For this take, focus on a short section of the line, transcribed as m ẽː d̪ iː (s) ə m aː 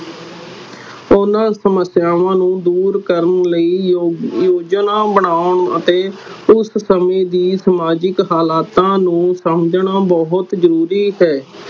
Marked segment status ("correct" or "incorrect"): correct